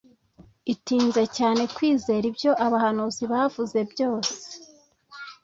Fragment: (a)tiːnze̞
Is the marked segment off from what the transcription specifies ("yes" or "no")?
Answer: yes